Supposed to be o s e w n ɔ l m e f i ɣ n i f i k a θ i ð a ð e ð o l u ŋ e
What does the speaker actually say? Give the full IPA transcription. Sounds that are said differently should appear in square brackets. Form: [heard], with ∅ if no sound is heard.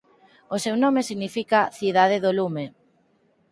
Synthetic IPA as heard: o s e w n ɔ [∅] m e [s] i ɣ n i f i k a θ i ð a ð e ð o l u [m] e